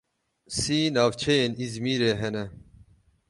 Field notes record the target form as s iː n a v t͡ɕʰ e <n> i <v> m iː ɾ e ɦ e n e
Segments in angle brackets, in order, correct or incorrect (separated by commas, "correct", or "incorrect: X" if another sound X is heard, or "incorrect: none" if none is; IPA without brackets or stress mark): correct, incorrect: z